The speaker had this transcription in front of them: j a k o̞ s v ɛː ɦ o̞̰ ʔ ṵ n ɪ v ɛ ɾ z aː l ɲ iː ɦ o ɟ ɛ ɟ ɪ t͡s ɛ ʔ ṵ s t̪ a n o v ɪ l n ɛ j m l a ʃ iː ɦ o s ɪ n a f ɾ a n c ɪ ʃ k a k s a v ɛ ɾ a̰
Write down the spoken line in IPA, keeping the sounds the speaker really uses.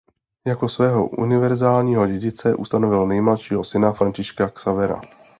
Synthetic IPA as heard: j a k o̞ s v ɛː ɦ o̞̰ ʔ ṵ n ɪ v ɛ ɾ z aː l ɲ iː ɦ o ɟ ɛ ɟ ɪ t͡s ɛ ʔ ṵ s t̪ a n o v ɪ l n ɛ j m l a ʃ iː ɦ o s ɪ n a f ɾ a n c ɪ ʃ k a k s a v ɛ ɾ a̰

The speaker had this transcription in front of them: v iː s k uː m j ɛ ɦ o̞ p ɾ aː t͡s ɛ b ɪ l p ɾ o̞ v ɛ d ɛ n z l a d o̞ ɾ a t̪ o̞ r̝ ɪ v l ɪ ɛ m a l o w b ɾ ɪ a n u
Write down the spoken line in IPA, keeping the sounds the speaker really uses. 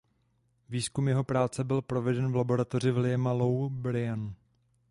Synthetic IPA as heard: v iː s k u m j ɛ ɦ o̞ p ɾ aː t͡s ɛ b ɪ l p ɾ o̞ v ɛ d ɛ n v l a b o̞ ɾ a t̪ o̞ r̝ ɪ v l ɪ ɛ m a l o w b ɾ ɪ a n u

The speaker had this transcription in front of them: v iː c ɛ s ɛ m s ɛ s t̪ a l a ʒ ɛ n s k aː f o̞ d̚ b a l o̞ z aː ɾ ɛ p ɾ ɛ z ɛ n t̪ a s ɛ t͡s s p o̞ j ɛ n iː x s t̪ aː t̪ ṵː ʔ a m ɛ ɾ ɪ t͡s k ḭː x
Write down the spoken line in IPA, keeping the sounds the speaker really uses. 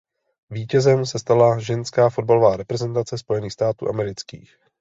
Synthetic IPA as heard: v iː c ɛ z ɛ m s ɛ s t̪ a l a ʒ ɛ n s k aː f o̞ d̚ b a l o̞ v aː ɾ ɛ p ɾ ɛ z ɛ n t̪ a t͡s ɛ s p o̞ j ɛ n iː x s t̪ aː t̪ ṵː ʔ a m ɛ ɾ ɪ t͡s k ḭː x

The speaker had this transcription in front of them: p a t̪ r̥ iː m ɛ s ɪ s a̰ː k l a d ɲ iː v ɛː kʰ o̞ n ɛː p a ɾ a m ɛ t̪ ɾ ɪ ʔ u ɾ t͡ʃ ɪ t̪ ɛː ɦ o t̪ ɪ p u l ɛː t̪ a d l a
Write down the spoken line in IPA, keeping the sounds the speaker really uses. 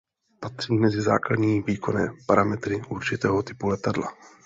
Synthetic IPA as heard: p a t̪ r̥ iː m ɛ z ɪ z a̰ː k l a d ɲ iː v iː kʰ o̞ n ɛː p a ɾ a m ɛ t̪ ɾ ɪ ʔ u ɾ t͡ʃ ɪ t̪ ɛː ɦ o t̪ ɪ p u l ɛ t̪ a d l a

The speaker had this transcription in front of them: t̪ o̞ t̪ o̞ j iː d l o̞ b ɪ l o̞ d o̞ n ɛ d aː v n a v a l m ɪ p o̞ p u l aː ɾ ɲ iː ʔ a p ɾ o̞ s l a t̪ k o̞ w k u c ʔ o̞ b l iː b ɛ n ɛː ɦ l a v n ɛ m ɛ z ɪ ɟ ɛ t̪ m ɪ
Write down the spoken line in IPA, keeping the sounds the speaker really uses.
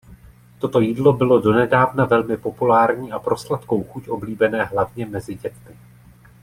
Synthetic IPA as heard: t̪ o̞ t̪ o̞ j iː d l o̞ b ɪ l o̞ d o̞ n ɛ d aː v n a v ɛ l m ɪ p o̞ p u l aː ɾ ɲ iː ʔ a p ɾ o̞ s l a t̪ k o̞ w x u c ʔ o̞ b l iː b ɛ n ɛː ɦ l a v ɲ ɛ m ɛ z ɪ ɟ ɛ t̪ m ɪ

